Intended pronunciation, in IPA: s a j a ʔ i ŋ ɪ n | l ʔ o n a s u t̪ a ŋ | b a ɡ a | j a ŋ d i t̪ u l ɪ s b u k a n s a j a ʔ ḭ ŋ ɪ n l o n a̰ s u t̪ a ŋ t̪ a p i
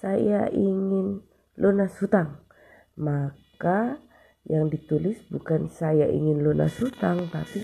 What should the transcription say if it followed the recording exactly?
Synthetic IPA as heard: s a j a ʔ i ŋ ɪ n | l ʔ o n a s u t̪ a ŋ | m a k a | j a ŋ d i t̪ u l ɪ s b u k a n s a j a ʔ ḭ ŋ ɪ n l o n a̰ s u t̪ a ŋ t̪ a p i